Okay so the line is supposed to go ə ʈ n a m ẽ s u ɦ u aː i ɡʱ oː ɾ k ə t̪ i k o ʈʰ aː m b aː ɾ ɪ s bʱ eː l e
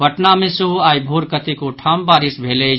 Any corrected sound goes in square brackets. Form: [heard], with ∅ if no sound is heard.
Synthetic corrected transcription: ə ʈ n a m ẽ s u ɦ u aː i [bʱ] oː ɾ k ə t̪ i k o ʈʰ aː m b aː ɾ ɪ s bʱ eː l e